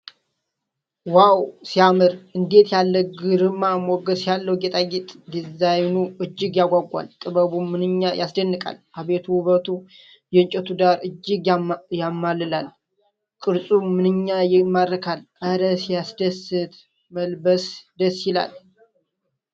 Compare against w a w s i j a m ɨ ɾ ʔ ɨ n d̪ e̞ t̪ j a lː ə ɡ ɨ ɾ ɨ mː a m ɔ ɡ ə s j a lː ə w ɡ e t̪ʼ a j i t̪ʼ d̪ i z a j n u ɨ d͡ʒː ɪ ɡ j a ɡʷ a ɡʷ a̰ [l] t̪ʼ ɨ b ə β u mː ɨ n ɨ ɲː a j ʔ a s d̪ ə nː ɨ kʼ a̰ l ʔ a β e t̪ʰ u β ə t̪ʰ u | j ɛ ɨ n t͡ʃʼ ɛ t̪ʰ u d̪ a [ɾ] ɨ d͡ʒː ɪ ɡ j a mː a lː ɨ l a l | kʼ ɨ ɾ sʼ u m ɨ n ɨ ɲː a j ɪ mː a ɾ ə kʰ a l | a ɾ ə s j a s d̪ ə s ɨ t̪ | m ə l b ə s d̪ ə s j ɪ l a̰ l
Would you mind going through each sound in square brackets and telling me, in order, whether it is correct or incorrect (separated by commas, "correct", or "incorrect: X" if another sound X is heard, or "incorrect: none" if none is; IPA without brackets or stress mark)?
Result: correct, correct